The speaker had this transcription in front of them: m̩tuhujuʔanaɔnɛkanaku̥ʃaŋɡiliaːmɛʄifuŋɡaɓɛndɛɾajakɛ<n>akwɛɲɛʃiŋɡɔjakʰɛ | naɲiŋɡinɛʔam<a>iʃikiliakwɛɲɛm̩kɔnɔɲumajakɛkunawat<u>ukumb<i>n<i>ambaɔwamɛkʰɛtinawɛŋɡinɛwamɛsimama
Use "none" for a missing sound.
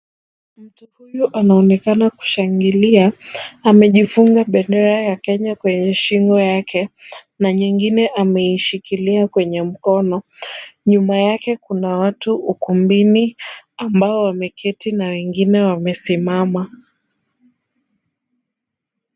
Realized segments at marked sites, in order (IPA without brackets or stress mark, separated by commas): ɲ, ɛ, u, i, i